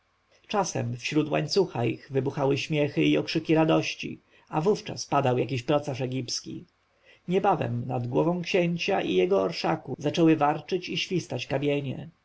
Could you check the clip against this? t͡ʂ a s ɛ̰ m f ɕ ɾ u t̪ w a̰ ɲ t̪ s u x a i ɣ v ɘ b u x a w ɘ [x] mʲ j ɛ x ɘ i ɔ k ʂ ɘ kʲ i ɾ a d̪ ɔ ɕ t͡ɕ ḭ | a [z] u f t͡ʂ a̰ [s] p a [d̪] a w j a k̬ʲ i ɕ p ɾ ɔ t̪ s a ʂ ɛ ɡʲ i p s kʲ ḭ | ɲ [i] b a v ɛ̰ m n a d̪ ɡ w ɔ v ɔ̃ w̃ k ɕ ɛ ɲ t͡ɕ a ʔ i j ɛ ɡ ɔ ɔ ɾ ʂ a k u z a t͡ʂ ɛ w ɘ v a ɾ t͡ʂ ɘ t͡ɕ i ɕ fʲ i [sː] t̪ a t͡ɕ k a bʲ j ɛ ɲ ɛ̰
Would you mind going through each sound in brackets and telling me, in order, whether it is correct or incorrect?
incorrect: ɕ, incorrect: v, correct, correct, incorrect: ɛ, incorrect: s

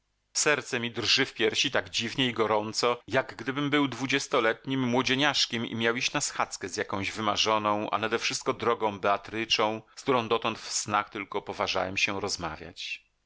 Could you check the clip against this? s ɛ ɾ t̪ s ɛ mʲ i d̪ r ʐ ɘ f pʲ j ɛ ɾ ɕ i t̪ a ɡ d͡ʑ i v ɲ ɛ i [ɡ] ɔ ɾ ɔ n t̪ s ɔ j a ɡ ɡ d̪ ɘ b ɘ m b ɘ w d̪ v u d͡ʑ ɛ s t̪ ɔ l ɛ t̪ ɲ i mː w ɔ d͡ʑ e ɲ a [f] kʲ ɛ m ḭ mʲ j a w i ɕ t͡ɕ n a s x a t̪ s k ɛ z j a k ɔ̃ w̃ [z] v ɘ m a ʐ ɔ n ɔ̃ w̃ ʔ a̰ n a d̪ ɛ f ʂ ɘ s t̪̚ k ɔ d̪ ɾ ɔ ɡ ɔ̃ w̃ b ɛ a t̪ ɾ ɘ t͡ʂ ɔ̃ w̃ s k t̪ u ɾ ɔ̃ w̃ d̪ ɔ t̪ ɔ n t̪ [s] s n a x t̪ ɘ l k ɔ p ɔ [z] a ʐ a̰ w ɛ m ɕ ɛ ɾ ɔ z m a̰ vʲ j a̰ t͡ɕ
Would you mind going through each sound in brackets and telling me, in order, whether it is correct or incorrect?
correct, incorrect: ʂ, incorrect: ʑ, incorrect: f, incorrect: v

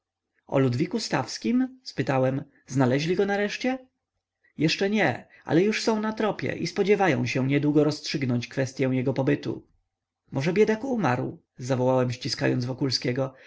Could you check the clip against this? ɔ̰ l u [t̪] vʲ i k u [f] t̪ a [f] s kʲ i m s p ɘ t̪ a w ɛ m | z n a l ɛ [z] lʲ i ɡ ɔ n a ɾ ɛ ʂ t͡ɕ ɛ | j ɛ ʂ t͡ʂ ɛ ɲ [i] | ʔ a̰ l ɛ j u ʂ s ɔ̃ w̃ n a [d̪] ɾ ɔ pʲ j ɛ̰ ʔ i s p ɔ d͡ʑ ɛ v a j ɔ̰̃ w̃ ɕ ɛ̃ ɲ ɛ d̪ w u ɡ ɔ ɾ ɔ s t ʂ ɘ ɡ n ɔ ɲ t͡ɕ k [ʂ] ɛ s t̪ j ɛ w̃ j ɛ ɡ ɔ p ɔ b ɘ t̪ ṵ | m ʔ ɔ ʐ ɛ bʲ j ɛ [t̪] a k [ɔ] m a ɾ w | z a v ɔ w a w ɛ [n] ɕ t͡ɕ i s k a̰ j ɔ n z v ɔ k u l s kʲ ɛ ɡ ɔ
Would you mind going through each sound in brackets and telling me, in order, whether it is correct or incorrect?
incorrect: d̪, incorrect: s, correct, incorrect: ʑ, incorrect: ɛ, incorrect: t̪, incorrect: f, incorrect: d̪, incorrect: u, incorrect: m

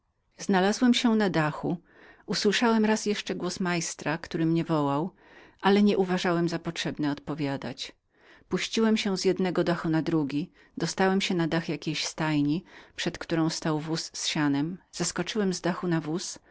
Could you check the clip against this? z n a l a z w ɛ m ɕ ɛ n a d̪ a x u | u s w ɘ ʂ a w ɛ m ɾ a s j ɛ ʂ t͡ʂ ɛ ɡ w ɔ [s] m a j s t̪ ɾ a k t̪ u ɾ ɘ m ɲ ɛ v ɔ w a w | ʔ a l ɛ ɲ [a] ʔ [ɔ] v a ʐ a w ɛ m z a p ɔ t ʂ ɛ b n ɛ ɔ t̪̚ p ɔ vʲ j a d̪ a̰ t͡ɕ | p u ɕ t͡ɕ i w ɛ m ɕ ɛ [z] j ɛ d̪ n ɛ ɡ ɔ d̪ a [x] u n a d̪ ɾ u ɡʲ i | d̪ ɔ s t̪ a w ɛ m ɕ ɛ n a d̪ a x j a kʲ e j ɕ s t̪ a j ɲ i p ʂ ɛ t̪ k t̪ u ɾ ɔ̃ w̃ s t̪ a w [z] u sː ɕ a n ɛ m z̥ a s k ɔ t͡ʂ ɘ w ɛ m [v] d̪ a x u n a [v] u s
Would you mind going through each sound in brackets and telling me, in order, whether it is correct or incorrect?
correct, incorrect: ɛ, incorrect: u, correct, correct, incorrect: v, incorrect: z, correct

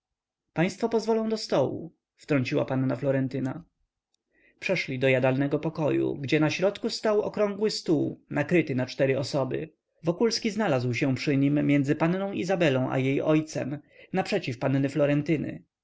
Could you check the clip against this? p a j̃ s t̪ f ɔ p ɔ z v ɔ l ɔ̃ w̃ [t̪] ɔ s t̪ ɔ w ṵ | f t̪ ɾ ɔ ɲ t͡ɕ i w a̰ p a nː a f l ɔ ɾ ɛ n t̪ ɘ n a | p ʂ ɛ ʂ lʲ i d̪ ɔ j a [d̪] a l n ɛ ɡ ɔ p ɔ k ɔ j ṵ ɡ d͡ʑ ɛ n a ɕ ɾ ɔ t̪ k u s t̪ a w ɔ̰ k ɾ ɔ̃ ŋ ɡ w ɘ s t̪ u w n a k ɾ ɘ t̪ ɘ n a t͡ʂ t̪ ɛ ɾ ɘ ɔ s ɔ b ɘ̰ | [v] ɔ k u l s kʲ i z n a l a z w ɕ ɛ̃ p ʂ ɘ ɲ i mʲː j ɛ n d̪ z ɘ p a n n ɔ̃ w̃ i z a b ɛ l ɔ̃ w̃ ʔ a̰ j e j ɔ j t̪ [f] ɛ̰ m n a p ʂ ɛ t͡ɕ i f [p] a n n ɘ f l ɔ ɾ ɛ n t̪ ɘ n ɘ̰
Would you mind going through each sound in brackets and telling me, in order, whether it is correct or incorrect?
incorrect: d̪, correct, correct, incorrect: s, correct

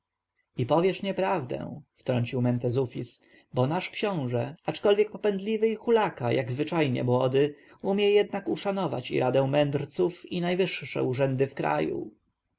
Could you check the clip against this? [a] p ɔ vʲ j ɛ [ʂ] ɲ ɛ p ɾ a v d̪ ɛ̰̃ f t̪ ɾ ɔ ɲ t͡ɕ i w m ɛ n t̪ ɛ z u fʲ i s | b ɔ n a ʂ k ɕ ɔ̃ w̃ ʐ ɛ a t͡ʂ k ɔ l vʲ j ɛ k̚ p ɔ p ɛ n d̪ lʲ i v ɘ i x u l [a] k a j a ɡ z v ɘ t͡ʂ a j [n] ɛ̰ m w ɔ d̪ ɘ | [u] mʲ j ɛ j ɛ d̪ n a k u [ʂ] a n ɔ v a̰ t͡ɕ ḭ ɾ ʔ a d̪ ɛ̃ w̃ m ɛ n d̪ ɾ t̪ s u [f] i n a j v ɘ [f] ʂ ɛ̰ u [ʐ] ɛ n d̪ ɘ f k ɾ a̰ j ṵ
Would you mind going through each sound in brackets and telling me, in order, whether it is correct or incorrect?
incorrect: i, correct, correct, incorrect: ɲ, correct, correct, correct, incorrect: ʂ, correct

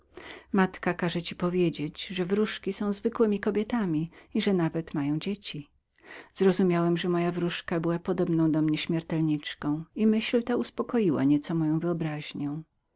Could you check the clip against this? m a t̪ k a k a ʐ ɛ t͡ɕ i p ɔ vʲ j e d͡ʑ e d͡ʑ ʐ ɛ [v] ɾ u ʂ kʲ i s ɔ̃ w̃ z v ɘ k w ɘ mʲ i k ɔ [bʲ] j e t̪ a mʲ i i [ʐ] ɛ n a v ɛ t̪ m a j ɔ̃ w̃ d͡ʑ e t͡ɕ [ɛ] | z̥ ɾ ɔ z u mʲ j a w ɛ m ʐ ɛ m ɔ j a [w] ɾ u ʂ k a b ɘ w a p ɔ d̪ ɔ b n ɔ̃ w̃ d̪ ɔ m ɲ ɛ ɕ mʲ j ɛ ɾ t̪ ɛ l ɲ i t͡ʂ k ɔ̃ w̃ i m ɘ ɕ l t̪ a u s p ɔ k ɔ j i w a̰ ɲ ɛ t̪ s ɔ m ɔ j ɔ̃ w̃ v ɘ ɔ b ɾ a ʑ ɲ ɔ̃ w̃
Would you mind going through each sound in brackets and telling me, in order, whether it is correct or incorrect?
correct, correct, correct, incorrect: i, incorrect: v

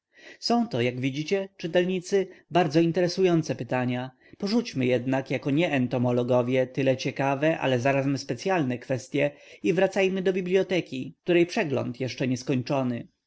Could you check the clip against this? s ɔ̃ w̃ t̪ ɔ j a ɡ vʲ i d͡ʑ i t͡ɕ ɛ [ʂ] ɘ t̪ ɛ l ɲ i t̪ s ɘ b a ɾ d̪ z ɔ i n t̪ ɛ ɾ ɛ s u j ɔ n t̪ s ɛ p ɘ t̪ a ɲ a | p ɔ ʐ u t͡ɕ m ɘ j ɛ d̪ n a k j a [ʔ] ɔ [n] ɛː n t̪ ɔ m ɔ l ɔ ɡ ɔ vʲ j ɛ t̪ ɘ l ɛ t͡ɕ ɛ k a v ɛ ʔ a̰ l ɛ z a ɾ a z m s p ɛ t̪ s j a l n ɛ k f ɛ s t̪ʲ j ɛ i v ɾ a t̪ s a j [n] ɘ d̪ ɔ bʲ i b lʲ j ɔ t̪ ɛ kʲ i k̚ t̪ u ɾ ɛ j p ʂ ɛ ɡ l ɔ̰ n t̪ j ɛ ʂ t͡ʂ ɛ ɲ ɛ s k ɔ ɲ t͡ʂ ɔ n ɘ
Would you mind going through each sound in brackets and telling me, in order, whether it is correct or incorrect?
incorrect: t͡ʂ, incorrect: k, incorrect: ɲ, incorrect: m

